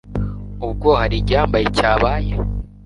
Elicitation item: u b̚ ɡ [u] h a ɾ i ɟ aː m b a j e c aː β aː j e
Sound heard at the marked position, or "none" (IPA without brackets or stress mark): o